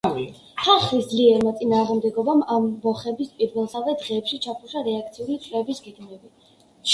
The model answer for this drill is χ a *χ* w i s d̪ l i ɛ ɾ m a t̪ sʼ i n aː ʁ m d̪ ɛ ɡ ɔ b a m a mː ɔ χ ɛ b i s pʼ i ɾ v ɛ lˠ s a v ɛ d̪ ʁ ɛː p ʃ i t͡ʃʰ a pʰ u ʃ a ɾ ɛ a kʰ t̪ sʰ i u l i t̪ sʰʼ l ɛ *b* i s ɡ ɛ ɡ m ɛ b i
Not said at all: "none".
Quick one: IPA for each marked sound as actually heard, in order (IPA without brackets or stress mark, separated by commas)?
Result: χ, b